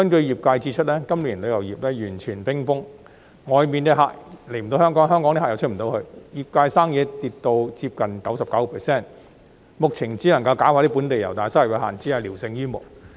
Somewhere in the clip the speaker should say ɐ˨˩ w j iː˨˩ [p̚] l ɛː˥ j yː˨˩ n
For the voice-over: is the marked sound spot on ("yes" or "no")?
yes